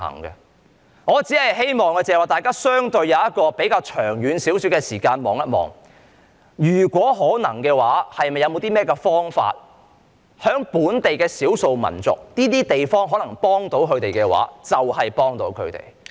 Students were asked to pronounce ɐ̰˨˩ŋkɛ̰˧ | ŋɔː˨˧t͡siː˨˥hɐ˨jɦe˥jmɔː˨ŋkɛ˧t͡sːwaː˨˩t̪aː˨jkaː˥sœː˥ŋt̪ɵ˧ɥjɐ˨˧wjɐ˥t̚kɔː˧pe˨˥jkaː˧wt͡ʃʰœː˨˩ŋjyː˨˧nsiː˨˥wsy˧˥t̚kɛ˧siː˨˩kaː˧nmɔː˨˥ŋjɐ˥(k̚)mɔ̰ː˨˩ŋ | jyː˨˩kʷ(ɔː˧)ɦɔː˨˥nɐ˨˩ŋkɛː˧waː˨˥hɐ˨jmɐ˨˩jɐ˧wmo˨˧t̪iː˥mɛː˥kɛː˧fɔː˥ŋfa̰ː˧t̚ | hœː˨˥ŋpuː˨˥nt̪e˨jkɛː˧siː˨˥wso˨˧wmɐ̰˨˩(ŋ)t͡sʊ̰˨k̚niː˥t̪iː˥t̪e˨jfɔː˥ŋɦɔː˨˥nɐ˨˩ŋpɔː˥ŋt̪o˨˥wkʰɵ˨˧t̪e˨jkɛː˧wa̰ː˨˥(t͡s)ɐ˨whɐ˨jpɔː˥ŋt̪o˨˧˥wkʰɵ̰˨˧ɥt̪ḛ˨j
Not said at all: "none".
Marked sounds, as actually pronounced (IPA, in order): t̚, ɔː˨˥, n, t͡s

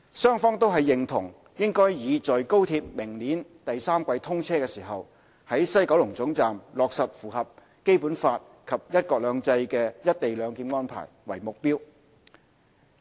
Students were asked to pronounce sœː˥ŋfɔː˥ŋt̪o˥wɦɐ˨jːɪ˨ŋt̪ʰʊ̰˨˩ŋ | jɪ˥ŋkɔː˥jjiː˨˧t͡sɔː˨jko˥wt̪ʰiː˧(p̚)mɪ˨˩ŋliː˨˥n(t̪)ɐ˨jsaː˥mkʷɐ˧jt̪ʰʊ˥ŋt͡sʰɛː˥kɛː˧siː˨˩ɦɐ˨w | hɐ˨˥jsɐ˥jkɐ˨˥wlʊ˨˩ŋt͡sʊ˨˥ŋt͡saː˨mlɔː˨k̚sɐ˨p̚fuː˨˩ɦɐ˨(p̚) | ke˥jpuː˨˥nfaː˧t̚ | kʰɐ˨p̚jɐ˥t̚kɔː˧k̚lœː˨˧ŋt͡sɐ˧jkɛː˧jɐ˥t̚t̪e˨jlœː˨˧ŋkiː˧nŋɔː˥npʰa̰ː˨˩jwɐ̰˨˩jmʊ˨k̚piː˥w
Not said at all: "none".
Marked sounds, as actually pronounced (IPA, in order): p̚, t̪, p̚

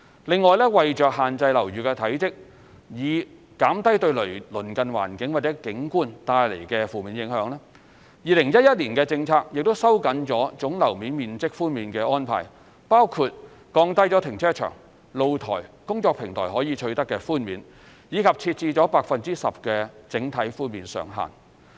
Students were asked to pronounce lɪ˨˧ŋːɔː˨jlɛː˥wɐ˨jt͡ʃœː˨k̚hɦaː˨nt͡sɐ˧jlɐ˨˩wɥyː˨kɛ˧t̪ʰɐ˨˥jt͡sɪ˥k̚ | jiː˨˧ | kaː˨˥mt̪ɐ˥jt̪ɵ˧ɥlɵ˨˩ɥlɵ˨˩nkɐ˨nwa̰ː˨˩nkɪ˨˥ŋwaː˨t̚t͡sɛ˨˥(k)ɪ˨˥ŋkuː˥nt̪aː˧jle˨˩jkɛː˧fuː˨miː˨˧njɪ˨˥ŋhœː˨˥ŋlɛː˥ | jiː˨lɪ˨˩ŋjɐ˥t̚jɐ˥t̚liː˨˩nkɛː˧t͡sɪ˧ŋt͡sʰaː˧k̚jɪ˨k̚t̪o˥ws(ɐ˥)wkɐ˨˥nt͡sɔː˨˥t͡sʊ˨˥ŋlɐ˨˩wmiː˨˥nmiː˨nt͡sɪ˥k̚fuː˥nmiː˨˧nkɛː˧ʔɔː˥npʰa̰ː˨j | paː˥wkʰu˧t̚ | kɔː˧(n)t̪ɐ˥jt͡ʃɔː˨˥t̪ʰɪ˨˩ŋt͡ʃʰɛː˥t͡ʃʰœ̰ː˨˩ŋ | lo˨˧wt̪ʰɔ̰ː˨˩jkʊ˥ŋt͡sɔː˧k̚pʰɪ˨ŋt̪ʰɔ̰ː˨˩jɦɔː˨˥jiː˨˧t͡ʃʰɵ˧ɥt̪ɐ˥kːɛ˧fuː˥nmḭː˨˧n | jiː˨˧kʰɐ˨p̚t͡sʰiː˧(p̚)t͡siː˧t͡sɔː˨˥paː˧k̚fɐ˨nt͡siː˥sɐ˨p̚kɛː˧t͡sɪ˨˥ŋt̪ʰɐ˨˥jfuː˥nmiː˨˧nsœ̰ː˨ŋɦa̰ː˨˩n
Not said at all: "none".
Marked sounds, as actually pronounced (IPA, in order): k, ɐ˥, ŋ, t̚

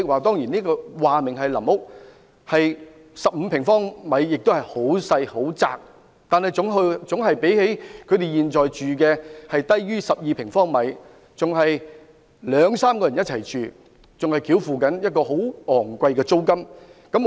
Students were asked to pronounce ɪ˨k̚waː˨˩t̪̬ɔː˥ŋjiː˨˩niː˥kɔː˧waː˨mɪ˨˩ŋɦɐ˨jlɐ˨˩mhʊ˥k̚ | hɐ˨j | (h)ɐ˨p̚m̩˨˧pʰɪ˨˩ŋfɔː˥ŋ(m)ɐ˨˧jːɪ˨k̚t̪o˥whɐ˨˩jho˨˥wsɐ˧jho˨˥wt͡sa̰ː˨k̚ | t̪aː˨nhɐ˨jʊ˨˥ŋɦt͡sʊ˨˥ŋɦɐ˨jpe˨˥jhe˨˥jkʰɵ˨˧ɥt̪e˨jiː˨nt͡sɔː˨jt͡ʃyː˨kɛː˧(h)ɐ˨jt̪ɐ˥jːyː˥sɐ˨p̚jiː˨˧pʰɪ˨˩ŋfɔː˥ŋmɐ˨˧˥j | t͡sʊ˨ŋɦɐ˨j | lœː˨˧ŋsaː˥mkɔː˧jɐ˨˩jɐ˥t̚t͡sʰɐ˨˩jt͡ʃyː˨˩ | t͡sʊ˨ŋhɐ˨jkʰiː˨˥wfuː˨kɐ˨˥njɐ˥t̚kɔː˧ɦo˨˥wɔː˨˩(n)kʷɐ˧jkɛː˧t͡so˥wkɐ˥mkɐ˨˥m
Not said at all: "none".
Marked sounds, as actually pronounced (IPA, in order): s, m, h, ŋ

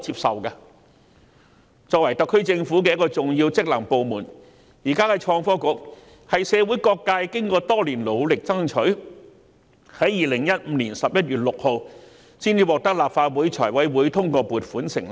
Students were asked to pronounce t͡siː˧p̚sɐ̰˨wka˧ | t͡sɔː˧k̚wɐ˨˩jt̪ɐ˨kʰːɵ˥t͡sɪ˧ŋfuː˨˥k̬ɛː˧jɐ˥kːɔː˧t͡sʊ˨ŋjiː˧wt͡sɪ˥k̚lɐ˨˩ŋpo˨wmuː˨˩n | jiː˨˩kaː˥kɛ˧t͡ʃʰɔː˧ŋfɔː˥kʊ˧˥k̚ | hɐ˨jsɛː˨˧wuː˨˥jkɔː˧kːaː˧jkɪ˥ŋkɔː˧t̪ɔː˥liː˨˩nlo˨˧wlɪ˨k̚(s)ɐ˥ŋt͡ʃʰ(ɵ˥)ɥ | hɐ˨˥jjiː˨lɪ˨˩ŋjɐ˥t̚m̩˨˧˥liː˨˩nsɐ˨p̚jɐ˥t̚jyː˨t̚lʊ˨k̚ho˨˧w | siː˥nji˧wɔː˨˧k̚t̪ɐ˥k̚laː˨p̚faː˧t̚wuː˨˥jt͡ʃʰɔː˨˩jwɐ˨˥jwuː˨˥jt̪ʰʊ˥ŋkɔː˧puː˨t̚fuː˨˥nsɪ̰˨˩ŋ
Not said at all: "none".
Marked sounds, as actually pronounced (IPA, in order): t͡s, ɵ˨˥

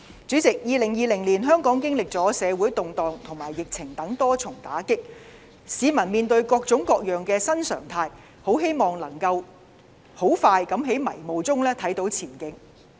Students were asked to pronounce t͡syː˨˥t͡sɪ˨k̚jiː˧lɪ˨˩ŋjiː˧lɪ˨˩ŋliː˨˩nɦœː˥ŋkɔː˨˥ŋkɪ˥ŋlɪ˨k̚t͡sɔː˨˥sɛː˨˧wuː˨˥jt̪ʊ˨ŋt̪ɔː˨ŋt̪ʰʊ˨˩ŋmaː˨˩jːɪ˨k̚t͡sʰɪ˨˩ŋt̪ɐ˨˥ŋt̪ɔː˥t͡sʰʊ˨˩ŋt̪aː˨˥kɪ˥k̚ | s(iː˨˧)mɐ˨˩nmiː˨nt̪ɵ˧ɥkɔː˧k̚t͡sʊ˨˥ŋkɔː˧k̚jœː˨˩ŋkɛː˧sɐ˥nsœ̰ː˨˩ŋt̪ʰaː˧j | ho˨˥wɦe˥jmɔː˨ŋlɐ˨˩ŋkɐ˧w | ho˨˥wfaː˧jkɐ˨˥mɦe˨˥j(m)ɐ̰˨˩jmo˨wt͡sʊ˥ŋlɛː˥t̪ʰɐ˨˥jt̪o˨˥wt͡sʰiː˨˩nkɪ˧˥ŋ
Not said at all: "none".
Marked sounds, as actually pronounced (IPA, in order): iː˨˧, m

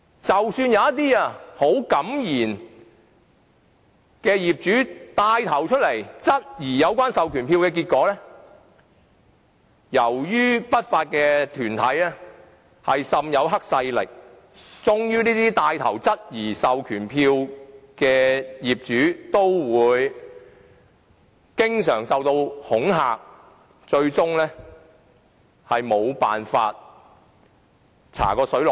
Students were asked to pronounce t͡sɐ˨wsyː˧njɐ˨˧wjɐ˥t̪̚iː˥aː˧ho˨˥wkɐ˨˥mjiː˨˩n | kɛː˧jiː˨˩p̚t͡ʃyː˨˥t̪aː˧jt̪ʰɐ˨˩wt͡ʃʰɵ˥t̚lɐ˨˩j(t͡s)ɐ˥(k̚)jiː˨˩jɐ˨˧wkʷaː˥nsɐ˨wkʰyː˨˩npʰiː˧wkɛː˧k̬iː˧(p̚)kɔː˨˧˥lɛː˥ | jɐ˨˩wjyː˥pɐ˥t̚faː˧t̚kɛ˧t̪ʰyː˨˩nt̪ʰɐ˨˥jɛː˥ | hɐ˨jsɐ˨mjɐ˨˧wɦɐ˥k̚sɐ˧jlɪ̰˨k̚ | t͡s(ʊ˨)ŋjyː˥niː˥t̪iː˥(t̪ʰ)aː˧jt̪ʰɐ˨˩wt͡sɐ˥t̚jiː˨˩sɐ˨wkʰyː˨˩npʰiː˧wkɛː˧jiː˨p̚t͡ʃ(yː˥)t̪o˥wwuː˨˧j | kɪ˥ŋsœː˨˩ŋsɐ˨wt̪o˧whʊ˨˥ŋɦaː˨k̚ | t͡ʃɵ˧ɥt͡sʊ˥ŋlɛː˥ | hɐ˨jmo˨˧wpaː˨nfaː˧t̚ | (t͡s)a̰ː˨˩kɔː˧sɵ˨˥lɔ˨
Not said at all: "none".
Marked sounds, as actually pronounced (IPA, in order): t͡s, t̚, t̚, ʊ˥, t̪, yː˨˥, t͡sʰ

